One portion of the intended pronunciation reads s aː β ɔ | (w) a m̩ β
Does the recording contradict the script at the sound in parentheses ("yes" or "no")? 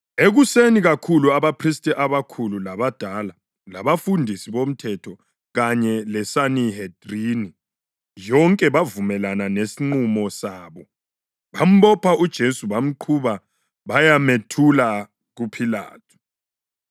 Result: yes